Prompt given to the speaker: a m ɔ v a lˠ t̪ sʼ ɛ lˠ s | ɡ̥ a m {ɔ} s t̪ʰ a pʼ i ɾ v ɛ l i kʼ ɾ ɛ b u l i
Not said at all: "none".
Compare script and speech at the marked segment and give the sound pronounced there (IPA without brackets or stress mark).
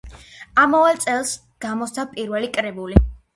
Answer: ɔ